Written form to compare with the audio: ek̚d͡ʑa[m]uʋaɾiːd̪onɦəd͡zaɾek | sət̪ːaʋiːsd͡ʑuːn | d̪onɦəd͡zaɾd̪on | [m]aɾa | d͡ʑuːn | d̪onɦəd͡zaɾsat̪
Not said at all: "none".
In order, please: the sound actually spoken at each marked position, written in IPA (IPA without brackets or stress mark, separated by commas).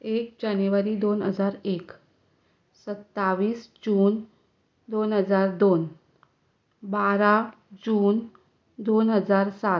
n, b